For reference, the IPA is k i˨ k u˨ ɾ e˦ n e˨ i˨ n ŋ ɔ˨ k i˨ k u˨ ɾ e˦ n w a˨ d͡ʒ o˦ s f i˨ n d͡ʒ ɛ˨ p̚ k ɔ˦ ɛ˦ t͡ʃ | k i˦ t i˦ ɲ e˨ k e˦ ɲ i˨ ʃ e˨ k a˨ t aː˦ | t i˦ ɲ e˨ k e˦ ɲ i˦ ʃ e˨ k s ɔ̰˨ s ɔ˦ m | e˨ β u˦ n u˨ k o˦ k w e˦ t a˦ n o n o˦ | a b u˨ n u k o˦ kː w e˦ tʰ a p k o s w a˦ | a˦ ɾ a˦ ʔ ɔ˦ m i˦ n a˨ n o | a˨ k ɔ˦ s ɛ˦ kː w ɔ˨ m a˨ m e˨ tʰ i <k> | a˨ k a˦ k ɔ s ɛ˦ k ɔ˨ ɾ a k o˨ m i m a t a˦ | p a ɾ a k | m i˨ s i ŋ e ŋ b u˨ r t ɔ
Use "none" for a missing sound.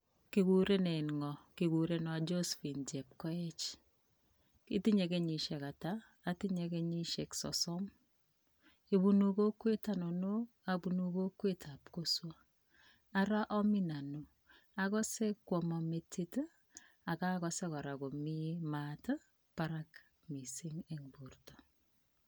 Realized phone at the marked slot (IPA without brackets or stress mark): t